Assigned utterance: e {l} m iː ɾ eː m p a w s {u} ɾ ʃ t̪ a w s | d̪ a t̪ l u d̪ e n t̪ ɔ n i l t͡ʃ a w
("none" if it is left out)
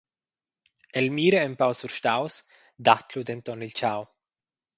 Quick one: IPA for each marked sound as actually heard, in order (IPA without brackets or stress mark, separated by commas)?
l, u